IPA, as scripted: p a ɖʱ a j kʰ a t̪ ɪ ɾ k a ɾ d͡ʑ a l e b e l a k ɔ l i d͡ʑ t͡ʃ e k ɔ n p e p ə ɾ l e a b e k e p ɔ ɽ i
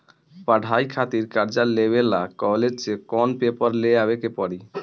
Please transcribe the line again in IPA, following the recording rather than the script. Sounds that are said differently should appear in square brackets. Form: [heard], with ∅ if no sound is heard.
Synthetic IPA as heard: p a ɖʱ a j kʰ a t̪ [i] ɾ k a ɾ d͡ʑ a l e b e l a k ɔ l [e] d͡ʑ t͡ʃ e k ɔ n p e p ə ɾ l e a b e k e p ɔ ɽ i